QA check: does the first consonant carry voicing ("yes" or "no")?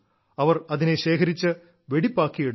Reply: yes